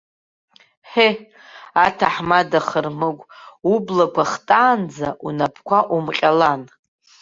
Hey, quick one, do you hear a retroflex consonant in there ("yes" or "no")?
no